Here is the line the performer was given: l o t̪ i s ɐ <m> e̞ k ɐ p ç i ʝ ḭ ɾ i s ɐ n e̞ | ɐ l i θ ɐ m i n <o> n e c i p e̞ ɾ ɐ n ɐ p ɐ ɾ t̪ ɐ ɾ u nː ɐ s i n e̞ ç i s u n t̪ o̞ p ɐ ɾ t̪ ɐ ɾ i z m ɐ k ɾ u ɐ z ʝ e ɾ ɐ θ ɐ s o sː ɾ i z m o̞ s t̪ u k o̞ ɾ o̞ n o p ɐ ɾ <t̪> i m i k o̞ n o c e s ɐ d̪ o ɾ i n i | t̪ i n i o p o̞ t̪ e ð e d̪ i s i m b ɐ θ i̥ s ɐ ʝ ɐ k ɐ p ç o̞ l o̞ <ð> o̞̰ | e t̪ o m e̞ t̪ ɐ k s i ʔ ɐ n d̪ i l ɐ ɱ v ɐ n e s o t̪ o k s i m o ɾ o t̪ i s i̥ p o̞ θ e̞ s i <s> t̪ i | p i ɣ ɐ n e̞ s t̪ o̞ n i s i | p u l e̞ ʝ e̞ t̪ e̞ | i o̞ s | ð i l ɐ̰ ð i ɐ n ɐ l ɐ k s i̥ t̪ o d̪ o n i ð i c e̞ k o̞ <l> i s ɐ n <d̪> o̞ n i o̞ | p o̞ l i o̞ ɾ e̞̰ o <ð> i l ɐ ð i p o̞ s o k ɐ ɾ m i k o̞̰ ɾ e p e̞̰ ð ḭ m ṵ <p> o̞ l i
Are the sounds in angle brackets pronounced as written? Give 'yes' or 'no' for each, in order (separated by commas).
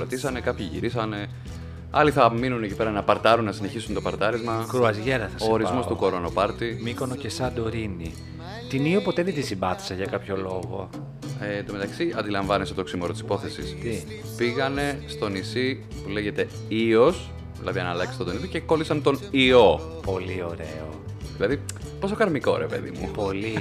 no, no, yes, no, yes, yes, no, yes, yes